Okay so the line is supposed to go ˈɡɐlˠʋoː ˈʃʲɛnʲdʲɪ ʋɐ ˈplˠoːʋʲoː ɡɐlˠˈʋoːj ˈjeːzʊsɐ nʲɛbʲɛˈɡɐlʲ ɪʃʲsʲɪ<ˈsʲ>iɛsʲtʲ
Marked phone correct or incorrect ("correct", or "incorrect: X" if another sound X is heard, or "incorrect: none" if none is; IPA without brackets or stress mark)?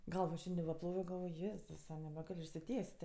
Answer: incorrect: tʲ